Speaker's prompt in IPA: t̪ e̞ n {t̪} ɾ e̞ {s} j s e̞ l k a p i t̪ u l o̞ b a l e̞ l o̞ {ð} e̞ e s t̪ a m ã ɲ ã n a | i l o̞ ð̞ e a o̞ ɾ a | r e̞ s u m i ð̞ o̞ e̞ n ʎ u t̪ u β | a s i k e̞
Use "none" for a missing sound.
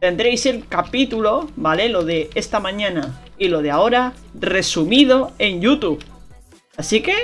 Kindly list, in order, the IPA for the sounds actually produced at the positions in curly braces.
d̪, none, ð

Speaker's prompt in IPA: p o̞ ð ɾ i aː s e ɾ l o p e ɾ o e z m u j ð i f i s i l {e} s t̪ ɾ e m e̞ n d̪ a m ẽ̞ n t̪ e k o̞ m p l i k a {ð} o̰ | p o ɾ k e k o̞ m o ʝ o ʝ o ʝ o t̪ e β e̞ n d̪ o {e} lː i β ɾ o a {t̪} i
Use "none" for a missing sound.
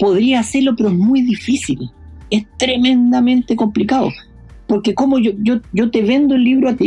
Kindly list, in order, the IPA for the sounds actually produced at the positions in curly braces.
e, ð, e, t̪

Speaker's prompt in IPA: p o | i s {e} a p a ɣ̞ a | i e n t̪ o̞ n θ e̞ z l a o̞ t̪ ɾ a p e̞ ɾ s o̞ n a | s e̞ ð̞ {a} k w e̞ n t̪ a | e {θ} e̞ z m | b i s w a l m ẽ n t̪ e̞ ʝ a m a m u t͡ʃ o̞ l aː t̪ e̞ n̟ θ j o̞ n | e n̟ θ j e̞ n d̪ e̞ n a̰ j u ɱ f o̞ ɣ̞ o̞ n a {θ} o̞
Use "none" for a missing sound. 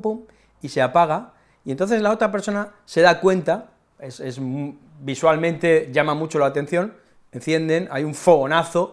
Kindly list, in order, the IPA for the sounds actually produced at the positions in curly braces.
e, a, s, θ

